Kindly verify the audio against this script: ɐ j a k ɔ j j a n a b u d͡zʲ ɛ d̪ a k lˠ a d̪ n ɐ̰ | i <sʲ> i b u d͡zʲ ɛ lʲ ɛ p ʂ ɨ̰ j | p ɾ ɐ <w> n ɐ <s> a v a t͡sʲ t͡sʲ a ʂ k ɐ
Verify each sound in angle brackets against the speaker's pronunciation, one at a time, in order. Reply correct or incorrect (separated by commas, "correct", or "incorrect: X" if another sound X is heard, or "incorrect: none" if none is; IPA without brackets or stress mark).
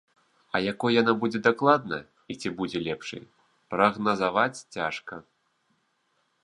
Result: incorrect: t͡sʲ, incorrect: ɣ, incorrect: z